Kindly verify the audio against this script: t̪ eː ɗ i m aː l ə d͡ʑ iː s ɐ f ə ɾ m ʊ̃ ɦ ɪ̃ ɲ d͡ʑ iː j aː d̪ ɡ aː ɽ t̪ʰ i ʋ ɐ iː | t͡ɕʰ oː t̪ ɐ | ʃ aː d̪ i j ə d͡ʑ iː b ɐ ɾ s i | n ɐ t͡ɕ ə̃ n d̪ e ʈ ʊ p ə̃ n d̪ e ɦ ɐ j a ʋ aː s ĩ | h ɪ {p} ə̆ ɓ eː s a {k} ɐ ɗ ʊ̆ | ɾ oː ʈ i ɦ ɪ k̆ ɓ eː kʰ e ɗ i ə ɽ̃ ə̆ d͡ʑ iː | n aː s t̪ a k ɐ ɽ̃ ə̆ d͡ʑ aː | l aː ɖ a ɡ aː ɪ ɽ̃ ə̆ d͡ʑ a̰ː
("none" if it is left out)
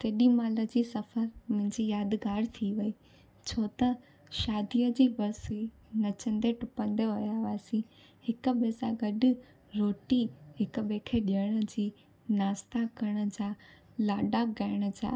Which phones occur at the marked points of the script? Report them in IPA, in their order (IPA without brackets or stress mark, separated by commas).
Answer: k, ɡ